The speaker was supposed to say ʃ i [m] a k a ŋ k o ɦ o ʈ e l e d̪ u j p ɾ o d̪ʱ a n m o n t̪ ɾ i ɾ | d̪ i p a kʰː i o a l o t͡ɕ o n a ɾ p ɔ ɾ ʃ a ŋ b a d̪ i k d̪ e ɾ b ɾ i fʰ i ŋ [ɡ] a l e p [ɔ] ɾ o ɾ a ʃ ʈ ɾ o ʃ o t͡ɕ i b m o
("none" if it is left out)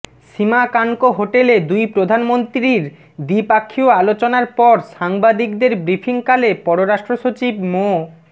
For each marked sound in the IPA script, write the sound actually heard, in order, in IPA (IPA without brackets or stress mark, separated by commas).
m, k, ɔ